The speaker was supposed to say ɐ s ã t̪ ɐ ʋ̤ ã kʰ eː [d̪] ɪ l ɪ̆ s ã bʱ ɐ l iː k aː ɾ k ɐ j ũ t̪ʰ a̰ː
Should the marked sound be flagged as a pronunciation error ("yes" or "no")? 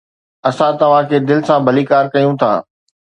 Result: no